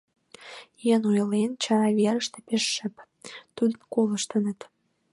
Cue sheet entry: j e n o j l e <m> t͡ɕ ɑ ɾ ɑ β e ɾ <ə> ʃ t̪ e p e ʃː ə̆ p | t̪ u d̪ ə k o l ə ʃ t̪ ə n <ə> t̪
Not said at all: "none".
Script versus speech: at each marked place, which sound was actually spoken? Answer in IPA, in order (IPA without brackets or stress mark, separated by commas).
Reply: n, ə, ə